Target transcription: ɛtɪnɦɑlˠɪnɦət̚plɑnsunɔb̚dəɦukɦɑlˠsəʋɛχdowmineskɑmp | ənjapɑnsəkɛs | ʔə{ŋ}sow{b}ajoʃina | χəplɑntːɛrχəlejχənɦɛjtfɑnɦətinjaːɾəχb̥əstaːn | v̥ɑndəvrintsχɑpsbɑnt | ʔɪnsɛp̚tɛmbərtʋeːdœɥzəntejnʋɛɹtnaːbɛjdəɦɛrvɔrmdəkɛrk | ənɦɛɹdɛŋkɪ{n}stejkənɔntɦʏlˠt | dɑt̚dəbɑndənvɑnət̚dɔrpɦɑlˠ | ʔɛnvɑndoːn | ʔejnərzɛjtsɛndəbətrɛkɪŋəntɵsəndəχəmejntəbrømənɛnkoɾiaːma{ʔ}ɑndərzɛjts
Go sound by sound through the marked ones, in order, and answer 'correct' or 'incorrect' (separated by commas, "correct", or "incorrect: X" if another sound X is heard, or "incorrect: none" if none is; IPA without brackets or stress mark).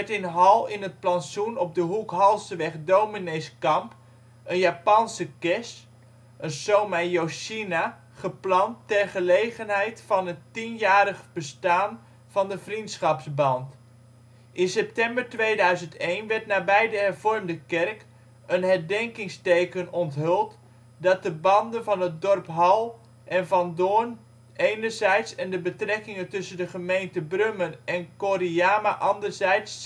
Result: incorrect: n, incorrect: m, incorrect: ŋ, correct